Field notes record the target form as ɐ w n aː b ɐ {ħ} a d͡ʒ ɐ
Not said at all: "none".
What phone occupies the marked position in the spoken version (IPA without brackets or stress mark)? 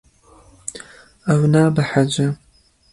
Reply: ħ